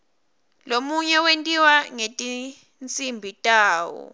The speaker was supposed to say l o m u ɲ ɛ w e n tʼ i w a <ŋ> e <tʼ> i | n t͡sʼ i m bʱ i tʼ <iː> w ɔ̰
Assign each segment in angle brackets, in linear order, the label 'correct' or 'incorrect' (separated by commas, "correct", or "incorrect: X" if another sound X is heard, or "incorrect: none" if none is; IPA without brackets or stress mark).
correct, correct, incorrect: aː